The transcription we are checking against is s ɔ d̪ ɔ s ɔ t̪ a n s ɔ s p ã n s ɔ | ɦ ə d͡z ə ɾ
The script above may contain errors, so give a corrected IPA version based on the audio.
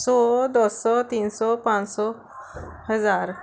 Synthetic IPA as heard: s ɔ d̪ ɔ s ɔ t̪ i n s ɔ p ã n s ɔ | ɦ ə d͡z a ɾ